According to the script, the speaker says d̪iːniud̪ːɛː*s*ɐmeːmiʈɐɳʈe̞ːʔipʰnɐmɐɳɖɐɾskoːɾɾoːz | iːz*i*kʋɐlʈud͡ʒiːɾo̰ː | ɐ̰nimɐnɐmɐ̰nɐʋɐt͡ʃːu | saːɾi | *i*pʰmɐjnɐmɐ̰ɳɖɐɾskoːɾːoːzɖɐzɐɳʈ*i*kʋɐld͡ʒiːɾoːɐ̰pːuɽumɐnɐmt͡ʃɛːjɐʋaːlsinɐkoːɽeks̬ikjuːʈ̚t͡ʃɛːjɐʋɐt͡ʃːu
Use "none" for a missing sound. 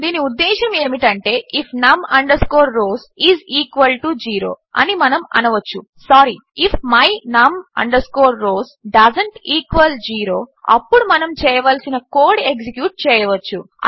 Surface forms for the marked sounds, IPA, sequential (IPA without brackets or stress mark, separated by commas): ʃ, iː, i, iː